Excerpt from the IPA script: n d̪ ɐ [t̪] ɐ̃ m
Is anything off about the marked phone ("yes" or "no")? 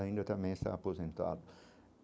no